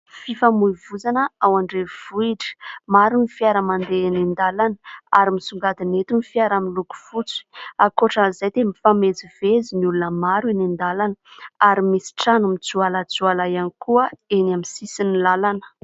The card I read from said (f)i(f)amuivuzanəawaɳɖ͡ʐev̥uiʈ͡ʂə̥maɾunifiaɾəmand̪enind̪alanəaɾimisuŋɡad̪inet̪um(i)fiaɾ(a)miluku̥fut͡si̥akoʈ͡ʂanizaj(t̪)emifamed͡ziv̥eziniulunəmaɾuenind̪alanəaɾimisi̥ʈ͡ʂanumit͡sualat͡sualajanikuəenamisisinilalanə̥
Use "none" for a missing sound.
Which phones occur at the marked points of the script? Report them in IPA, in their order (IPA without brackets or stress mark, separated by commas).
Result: f, f, i, a, t̪